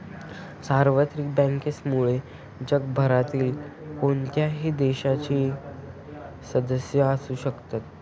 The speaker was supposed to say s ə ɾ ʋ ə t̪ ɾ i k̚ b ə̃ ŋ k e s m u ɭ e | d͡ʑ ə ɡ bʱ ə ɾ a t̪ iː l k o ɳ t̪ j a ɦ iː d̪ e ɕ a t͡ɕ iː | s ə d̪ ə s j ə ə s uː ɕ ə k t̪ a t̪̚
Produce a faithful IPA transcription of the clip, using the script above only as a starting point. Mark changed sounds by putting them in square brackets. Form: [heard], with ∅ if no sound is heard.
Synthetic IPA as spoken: s [a] ɾ ʋ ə t̪ ɾ i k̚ b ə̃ ŋ k e s m u ɭ e | d͡ʑ ə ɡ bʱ ə ɾ a t̪ iː l k o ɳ t̪ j a ɦ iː d̪ e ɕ a t͡ɕ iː | s ə d̪ ə s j ə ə s uː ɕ ə k t̪ a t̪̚